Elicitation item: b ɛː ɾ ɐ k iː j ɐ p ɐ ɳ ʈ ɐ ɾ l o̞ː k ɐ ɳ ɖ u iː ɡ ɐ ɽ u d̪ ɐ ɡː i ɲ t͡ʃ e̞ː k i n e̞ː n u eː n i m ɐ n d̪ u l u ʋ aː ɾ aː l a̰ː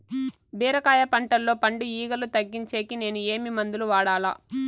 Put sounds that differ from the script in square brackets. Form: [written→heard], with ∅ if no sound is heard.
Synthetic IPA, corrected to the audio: b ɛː ɾ ɐ k [iː→aː] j ɐ p ɐ ɳ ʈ ɐ [ɾ→l] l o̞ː [k→p] ɐ ɳ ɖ u iː ɡ ɐ [ɽ→l] u [d̪→t̪] ɐ ɡː i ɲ t͡ʃ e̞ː k i n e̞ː n u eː [n→m] i m ɐ n d̪ u l u ʋ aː [ɾ→ɽ] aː l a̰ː